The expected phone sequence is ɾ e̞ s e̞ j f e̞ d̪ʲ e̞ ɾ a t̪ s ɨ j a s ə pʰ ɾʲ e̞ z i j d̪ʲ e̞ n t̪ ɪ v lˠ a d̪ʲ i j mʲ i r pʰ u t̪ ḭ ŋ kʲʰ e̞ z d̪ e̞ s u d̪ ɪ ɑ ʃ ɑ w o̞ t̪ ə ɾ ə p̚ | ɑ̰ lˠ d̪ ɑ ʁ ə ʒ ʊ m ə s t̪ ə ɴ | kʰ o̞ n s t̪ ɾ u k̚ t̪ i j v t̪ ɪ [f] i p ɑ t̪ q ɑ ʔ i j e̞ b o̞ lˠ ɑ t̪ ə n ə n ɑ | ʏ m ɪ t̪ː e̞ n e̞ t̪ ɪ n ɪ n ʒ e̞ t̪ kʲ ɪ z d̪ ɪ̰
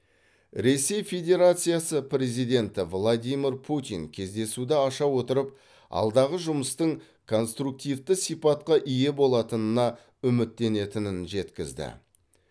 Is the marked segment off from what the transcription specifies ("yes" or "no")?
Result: yes